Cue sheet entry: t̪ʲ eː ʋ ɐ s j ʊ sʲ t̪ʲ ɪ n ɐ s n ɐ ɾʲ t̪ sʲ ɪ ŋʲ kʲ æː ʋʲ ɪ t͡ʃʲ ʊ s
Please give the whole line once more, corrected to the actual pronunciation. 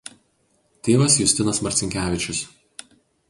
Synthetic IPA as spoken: t̪ʲ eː ʋ ɐ s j ʊ sʲ t̪ʲ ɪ n ɐ s m ɐ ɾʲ t̪ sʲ ɪ ŋʲ kʲ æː ʋʲ ɪ t͡ʃʲ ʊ s